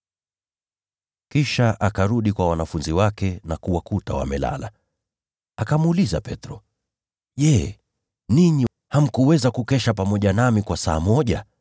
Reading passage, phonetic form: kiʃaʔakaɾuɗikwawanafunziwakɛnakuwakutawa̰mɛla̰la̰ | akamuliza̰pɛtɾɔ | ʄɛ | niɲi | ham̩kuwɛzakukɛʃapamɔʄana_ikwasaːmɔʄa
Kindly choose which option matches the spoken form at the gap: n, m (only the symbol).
m